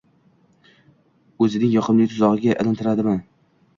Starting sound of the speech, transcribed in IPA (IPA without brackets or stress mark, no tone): ɵ